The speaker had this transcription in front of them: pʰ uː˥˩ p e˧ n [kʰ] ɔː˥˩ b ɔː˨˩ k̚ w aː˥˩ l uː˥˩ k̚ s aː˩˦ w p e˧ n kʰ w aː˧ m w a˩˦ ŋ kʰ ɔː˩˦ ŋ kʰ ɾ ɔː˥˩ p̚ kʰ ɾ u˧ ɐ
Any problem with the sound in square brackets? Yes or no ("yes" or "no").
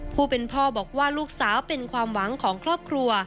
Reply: yes